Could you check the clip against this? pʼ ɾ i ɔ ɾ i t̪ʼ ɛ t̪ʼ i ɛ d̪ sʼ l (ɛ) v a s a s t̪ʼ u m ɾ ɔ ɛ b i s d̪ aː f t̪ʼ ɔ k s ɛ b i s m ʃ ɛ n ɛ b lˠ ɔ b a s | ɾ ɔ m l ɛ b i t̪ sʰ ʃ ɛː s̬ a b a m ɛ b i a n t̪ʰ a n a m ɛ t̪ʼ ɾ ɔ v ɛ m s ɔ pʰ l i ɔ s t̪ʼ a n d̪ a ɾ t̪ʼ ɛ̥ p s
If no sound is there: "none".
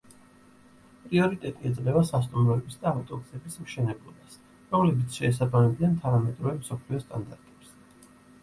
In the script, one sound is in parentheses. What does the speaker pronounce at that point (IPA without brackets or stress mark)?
ɛ